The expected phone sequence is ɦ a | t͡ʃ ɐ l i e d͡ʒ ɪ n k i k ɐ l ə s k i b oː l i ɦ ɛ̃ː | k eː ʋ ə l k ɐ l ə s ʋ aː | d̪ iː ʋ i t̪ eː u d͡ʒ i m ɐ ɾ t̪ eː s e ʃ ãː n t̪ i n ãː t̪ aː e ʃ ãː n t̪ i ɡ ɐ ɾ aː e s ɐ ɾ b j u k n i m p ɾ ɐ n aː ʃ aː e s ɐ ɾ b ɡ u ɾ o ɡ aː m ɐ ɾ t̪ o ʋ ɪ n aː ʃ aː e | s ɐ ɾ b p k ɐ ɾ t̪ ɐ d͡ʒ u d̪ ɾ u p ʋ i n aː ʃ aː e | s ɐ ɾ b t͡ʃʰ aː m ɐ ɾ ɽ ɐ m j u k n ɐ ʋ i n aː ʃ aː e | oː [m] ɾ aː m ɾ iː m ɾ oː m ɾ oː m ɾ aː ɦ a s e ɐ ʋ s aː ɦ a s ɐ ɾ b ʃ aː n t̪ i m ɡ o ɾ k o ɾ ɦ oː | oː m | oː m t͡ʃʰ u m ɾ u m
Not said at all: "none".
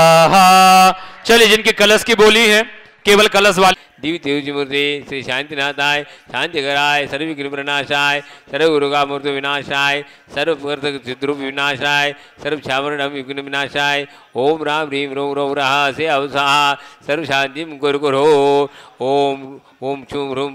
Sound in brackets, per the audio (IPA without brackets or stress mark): m